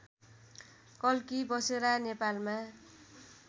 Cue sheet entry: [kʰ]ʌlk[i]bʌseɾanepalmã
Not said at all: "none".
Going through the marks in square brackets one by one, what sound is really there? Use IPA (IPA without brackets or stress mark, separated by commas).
k, i